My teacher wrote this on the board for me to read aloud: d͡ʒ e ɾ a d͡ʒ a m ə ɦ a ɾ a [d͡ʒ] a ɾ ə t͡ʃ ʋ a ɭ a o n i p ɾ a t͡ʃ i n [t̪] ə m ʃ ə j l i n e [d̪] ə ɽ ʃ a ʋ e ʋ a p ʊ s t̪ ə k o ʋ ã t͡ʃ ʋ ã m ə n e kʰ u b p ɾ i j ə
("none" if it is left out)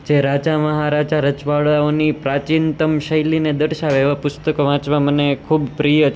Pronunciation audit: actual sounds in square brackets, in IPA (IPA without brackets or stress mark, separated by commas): d͡ʒ, t̪, d̪